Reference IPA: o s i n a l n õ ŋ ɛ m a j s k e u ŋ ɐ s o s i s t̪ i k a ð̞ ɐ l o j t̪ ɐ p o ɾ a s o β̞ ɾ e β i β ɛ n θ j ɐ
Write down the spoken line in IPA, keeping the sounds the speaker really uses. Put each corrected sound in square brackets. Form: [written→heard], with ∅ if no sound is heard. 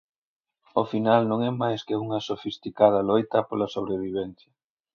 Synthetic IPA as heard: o [s→f] i n a l n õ ŋ ɛ m a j s k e u ŋ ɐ s o [s→f] i s t̪ i k a ð̞ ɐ l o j t̪ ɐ p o [ɾ→l] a s o β̞ ɾ e β i β ɛ n θ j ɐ